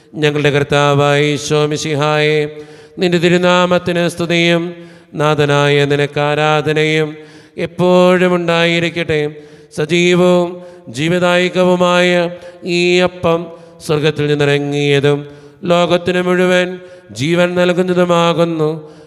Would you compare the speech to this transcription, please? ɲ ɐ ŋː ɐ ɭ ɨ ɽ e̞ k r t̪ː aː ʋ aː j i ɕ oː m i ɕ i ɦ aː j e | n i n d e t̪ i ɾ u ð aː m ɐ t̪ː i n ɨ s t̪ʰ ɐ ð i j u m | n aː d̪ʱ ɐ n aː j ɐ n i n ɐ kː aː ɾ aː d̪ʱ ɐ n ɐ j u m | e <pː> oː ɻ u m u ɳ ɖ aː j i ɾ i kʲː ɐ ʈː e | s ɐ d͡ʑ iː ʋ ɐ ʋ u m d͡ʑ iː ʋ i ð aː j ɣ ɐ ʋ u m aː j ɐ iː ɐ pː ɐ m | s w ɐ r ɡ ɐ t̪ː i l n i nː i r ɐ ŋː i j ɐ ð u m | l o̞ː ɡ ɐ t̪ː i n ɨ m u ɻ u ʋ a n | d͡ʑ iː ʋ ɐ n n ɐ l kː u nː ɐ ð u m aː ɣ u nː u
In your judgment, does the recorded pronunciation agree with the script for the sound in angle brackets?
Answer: yes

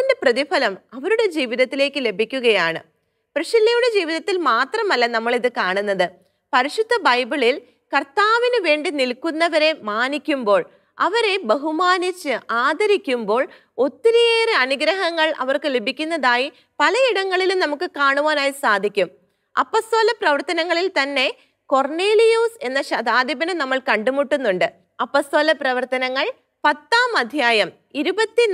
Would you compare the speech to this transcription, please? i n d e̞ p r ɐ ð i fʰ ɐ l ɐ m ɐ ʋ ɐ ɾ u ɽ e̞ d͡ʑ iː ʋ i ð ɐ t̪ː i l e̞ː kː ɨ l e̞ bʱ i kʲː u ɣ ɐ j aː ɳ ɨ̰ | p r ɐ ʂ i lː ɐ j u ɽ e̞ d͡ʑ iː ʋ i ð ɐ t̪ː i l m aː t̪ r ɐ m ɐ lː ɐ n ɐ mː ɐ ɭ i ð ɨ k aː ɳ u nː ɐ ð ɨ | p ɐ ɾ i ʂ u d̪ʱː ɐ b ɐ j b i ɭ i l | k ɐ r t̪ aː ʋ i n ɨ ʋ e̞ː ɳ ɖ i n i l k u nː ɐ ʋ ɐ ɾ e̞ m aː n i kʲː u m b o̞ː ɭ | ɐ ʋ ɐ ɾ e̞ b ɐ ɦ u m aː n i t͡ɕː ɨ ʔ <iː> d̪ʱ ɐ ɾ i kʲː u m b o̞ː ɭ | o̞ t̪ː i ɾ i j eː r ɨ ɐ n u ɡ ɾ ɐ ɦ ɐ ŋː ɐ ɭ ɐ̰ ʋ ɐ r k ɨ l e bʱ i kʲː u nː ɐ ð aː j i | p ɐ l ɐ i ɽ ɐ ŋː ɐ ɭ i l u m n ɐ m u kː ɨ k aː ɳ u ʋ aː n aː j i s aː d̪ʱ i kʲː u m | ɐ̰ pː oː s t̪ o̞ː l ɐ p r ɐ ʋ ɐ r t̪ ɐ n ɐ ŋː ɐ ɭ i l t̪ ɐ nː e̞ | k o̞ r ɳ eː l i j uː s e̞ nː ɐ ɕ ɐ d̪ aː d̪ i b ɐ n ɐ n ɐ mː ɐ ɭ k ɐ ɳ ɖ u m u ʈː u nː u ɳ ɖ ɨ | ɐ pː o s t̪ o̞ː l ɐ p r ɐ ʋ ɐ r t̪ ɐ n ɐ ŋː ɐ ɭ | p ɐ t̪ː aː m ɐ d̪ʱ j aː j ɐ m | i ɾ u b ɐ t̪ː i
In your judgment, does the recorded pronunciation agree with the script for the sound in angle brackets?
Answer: no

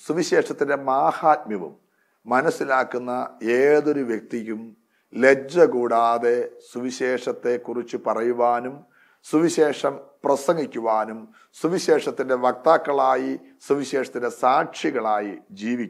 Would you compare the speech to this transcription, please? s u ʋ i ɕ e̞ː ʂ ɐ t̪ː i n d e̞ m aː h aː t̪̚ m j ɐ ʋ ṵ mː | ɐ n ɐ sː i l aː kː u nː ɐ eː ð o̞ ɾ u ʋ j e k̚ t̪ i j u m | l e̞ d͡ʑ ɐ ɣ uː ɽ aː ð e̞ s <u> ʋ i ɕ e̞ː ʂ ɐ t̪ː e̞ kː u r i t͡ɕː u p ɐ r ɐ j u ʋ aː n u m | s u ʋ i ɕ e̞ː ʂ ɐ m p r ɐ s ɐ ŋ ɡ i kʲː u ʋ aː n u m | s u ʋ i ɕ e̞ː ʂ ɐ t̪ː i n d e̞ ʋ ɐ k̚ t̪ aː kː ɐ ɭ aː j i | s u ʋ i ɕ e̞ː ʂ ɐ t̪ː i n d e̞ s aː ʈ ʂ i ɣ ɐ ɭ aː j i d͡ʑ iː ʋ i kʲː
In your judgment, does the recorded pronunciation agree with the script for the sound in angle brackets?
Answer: yes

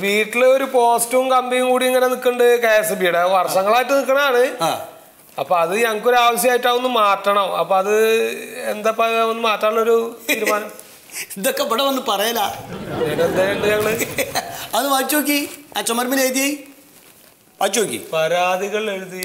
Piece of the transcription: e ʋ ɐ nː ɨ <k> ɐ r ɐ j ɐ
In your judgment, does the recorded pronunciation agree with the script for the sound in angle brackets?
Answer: no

